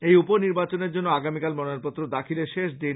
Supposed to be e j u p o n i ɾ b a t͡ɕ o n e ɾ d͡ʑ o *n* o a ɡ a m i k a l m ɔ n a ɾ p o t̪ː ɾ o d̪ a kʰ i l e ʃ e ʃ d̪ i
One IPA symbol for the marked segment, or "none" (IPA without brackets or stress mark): nː